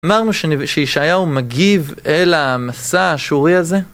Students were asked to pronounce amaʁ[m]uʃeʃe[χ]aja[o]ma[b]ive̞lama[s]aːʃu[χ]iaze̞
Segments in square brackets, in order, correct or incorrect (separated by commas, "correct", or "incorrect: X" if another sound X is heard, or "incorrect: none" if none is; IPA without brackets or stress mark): incorrect: n, incorrect: ʃ, incorrect: u, incorrect: ɡ, correct, incorrect: ʁ